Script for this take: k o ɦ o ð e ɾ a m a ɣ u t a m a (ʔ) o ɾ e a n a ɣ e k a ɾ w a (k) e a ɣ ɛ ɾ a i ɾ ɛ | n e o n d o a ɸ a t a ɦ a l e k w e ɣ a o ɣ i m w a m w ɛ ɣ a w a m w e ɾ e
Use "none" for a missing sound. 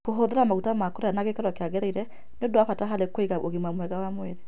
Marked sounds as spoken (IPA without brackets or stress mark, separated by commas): k, k